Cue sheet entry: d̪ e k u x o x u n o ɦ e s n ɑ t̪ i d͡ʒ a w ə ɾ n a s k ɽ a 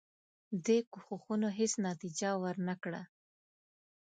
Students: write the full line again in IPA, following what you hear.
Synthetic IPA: d̪ e k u x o x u n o ɦ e s n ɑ t̪ i d͡ʒ a w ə ɾ n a k ɽ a